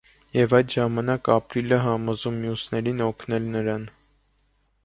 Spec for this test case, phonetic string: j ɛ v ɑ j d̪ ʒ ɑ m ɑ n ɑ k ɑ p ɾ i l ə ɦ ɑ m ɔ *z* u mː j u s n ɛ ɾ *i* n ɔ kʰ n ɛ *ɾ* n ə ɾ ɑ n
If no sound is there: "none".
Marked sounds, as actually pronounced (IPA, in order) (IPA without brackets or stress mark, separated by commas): z, i, l